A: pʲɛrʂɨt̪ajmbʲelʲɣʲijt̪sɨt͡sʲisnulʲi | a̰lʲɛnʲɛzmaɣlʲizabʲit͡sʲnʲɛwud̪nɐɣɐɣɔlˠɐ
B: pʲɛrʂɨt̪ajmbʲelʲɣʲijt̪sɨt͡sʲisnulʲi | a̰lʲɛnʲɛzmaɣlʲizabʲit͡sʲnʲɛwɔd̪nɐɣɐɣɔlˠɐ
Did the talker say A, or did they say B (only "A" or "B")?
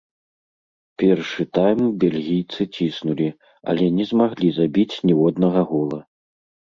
B